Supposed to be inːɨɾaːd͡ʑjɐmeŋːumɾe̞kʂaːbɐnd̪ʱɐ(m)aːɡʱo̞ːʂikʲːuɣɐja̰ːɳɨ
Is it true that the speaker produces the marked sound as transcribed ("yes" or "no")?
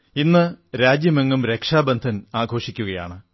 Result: no